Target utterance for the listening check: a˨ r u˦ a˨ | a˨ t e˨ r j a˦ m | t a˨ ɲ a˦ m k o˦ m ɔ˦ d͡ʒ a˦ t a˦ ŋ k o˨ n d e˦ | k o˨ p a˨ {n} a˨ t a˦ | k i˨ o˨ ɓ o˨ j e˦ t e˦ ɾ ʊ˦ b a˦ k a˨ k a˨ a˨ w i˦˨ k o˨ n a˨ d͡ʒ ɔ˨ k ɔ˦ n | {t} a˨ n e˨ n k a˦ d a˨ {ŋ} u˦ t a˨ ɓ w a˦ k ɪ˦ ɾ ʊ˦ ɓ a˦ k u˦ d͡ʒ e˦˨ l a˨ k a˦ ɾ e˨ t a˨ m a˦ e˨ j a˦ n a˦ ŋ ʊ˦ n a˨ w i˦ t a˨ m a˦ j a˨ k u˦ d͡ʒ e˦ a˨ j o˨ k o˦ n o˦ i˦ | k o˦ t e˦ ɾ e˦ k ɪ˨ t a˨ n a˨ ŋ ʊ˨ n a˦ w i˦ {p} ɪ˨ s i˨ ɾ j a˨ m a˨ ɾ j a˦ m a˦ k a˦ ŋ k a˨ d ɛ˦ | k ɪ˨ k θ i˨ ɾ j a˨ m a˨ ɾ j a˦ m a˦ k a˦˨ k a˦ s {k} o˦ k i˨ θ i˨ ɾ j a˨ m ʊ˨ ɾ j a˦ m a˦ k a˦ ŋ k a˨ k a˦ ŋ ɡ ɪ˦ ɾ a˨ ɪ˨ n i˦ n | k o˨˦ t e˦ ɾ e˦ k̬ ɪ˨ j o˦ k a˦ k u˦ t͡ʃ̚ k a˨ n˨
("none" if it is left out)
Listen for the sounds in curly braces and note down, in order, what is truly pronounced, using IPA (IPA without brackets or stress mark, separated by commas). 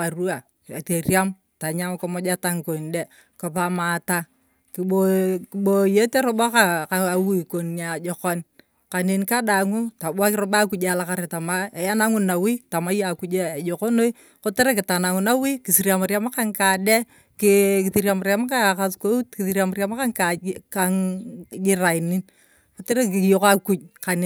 m, k, ŋ, k, k